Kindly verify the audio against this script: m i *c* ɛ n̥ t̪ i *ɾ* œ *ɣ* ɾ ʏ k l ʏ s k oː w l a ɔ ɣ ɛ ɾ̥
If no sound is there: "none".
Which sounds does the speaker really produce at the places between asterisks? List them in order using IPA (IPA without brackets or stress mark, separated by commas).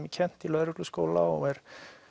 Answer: cʰ, l, ð